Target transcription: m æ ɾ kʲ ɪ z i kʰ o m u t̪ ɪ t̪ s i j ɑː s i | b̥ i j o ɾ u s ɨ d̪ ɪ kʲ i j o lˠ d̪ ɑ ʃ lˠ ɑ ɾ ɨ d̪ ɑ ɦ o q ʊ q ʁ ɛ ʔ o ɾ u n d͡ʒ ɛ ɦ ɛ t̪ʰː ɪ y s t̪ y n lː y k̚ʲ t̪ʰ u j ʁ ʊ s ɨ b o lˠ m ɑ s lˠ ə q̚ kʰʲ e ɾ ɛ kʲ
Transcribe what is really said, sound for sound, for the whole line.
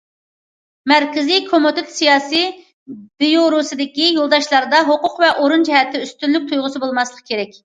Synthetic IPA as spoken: m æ ɾ kʲ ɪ z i kʰ o m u t̪ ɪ t̪ s i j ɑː s i | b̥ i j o ɾ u s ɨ d̪ ɪ kʲ i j o lˠ d̪ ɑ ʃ lˠ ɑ ɾ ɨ d̪ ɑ ɦ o q ʊ q v ɛ ʔ o ɾ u n d͡ʒ ɛ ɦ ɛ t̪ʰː ɪ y s t̪ y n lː y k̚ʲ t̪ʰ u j ʁ ʊ s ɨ b o lˠ m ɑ s lˠ ə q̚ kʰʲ e ɾ ɛ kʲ

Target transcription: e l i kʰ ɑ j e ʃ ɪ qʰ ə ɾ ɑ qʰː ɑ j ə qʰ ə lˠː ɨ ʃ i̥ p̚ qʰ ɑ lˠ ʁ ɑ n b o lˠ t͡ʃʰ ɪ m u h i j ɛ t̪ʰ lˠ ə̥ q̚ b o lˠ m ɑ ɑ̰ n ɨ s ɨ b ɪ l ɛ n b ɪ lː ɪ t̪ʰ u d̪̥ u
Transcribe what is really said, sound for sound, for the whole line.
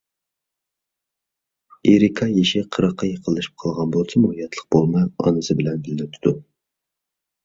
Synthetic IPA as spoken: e ɾ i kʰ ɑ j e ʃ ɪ qʰ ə ɾ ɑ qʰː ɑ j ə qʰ ə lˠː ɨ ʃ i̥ p̚ qʰ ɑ lˠ ʁ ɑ n b o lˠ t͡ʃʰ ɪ m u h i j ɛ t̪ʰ lˠ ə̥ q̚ b o lˠ m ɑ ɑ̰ n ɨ s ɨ b ɪ l ɛ n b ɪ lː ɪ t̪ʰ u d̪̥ u

